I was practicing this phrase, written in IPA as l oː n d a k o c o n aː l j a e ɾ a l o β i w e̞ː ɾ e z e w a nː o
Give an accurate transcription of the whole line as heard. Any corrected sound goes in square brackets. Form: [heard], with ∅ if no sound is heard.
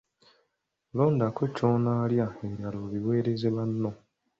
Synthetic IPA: l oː n d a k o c o n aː l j a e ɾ a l o β i w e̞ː ɾ e z e [β] a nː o